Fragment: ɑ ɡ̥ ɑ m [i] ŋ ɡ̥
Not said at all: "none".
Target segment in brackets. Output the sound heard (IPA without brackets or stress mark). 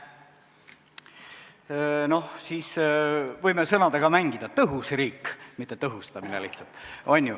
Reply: æ